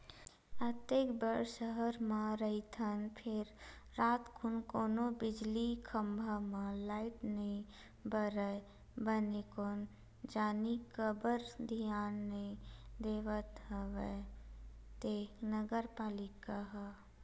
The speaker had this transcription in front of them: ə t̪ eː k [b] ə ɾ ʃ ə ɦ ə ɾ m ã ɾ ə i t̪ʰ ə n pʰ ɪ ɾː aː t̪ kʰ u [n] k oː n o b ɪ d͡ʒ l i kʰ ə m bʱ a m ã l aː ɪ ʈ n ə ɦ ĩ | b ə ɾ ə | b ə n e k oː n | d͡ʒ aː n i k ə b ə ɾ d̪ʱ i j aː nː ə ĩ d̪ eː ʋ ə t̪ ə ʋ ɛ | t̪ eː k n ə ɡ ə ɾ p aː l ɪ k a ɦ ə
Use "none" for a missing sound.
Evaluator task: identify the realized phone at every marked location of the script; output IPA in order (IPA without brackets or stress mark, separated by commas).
b, n